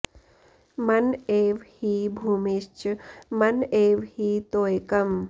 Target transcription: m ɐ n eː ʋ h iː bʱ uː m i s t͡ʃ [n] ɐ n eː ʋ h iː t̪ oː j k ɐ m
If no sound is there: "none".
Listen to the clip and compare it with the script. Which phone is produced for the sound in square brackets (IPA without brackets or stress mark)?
m